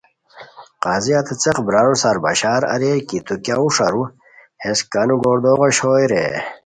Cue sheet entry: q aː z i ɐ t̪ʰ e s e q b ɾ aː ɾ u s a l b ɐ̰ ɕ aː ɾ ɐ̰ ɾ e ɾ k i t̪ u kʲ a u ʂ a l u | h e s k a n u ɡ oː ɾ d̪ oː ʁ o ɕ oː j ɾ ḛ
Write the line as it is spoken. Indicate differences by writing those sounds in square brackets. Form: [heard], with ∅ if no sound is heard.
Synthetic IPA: q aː z i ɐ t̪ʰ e [t͡s] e q b ɾ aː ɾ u s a [ɾ] b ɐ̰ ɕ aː ɾ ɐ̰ ɾ e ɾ k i t̪ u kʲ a u ʂ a [ɾ] u | h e s k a n u ɡ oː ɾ d̪ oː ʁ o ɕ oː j ɾ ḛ